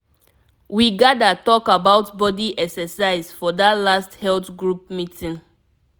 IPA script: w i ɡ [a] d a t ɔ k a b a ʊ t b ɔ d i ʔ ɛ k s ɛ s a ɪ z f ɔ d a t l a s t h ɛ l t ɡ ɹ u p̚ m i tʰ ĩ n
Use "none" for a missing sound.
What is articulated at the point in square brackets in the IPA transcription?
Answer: a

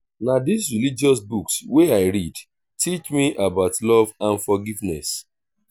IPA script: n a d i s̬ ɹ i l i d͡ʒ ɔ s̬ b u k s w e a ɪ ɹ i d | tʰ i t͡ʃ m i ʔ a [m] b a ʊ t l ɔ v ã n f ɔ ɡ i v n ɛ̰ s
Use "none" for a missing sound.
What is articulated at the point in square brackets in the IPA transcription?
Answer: none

